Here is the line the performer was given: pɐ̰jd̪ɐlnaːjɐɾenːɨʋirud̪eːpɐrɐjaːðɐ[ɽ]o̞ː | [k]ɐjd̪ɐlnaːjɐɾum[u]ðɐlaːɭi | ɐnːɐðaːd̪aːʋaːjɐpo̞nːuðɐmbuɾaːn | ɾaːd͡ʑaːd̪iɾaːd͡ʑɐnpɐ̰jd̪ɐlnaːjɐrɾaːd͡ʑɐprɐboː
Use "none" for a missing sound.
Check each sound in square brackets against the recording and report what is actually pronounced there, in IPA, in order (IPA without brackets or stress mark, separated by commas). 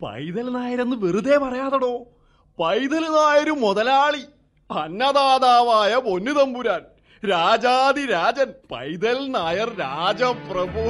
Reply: ɽ, p, o